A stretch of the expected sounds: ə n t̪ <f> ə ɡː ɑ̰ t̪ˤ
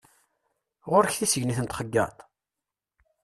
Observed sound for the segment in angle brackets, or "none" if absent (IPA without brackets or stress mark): χ